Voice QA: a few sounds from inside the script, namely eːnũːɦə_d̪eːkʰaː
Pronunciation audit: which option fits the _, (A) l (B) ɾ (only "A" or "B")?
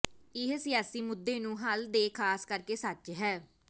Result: A